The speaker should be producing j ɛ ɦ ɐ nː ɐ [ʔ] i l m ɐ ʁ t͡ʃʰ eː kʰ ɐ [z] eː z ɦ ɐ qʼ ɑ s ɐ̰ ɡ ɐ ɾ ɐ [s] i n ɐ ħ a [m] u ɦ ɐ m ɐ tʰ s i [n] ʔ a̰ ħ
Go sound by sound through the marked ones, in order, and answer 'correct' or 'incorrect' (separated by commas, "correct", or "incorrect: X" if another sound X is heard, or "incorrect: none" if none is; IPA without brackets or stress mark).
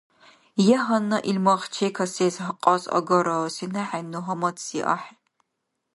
correct, incorrect: s, correct, incorrect: n, incorrect: none